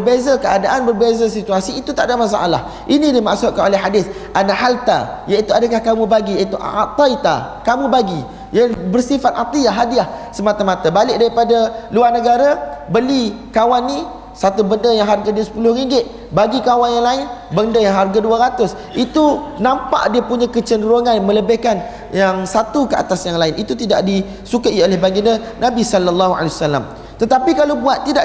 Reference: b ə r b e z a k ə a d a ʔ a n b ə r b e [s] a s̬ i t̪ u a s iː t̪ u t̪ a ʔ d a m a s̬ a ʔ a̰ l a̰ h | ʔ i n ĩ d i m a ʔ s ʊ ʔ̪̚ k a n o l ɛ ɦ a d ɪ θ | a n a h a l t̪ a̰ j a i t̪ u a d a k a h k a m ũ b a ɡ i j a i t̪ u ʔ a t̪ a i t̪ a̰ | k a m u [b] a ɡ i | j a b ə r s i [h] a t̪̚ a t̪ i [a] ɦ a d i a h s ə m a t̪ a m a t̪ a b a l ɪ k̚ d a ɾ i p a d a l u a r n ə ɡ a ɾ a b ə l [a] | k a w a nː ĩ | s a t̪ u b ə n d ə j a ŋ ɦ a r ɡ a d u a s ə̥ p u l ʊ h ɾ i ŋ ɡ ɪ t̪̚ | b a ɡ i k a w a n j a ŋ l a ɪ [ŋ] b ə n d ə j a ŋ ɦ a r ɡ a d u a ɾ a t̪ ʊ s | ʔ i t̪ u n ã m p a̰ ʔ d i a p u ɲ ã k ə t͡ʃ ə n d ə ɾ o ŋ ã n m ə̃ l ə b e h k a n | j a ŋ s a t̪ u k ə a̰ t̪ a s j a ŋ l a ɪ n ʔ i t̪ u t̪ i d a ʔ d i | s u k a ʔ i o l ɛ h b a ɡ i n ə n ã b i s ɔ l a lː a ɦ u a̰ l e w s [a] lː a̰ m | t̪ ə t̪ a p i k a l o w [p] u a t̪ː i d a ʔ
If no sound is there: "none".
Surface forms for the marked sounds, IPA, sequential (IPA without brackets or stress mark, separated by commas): z, b, f, a, i, n, a, b